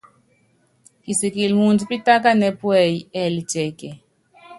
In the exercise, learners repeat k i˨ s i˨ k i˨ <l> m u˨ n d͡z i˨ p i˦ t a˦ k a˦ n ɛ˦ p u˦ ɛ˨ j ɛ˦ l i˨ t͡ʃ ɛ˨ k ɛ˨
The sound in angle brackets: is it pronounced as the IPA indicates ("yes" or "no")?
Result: yes